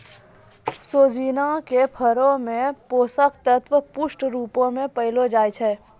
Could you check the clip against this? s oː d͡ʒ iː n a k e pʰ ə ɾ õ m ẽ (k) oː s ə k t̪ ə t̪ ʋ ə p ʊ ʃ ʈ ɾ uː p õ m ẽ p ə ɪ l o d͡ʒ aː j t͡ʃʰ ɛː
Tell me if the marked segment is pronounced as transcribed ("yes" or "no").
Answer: no